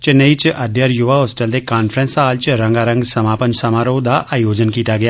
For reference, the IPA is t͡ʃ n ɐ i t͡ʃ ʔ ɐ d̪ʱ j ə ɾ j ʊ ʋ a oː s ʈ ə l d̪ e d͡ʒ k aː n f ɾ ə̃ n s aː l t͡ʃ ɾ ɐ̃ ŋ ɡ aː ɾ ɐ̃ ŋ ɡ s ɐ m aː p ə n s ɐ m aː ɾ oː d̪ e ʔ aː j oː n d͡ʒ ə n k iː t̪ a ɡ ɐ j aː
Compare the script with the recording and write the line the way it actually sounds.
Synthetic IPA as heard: t͡ʃ n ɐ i t͡ʃ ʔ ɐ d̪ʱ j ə ɾ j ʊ ʋ a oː s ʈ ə l d̪ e k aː n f ɾ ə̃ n s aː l t͡ʃ ɾ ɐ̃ ŋ ɡ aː ɾ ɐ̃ ŋ ɡ s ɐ m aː p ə n s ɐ m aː ɾ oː d̪ a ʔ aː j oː d͡ʒ ə n k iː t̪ a ɡ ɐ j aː